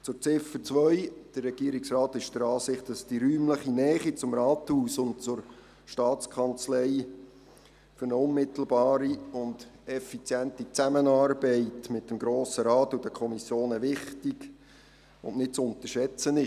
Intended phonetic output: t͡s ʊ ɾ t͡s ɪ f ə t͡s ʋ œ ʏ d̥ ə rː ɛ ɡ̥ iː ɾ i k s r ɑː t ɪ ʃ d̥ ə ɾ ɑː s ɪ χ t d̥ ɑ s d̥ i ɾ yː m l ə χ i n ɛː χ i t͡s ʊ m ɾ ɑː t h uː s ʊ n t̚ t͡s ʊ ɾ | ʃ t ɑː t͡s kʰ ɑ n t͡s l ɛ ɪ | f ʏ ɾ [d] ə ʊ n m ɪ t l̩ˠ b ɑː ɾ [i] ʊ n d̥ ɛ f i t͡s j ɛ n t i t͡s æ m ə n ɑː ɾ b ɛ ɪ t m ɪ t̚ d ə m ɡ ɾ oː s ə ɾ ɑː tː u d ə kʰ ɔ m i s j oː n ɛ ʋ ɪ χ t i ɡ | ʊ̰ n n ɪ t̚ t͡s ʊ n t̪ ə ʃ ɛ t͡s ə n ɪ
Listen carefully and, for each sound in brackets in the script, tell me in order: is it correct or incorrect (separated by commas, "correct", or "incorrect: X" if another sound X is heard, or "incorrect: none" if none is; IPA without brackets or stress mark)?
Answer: incorrect: n, correct